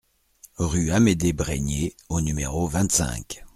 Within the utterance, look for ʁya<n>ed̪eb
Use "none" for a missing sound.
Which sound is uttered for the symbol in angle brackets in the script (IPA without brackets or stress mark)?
m